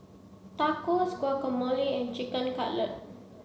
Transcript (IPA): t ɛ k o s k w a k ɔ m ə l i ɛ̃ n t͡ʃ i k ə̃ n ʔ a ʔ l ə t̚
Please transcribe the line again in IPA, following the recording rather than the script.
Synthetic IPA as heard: t a k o s k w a k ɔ m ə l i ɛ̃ n t͡ʃ i k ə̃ n k a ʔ l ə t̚